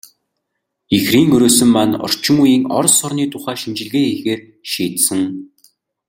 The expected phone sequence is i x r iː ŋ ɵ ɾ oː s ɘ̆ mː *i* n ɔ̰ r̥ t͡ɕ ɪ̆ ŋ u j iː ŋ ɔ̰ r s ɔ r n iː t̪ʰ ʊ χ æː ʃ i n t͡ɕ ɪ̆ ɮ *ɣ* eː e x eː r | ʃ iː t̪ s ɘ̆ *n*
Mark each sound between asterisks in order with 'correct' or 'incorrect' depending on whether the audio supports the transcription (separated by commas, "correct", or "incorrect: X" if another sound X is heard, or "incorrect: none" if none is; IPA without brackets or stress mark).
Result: incorrect: a, correct, incorrect: ŋ